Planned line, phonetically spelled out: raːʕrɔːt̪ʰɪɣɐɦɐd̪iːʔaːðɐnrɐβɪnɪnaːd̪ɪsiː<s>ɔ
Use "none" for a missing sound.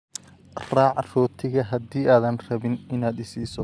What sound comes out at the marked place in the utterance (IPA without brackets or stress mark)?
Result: s